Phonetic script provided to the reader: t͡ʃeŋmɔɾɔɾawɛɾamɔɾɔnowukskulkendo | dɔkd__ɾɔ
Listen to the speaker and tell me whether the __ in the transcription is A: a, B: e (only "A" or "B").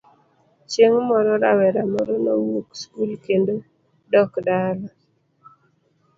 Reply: A